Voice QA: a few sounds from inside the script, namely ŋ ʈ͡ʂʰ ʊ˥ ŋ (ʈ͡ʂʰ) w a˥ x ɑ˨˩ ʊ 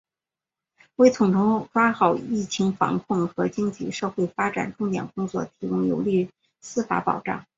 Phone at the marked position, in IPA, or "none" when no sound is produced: ʈ͡ʂ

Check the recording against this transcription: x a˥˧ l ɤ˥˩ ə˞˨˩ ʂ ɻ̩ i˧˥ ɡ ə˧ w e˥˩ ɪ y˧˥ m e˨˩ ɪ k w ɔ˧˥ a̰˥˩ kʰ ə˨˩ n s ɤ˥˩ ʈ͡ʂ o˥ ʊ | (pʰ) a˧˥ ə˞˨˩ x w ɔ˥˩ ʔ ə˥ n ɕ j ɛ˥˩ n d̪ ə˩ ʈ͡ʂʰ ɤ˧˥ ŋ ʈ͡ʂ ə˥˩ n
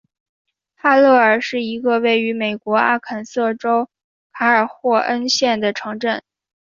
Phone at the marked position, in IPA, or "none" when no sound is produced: kʰ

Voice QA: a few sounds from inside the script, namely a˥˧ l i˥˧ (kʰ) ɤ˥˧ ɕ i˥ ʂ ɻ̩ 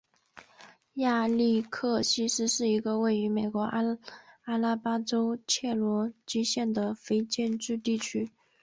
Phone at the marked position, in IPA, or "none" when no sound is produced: kʰ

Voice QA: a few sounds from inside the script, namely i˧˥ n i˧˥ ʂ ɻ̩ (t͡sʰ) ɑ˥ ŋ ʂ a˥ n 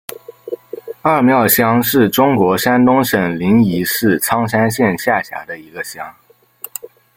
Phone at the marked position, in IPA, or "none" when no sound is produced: t͡sʰ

